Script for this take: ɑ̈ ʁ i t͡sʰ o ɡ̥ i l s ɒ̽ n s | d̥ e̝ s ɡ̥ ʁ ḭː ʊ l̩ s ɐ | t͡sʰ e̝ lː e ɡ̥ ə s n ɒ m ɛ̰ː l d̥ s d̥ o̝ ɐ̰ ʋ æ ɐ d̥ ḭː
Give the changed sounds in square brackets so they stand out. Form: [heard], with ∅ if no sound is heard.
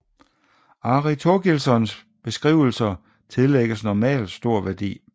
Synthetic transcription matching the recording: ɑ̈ ʁ i t͡sʰ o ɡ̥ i l s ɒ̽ n s | [b̥] e̝ s ɡ̥ ʁ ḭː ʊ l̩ s ɐ | t͡sʰ e̝ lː e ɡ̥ ə s n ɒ m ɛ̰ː l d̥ s d̥ o̝ ɐ̰ ʋ æ ɐ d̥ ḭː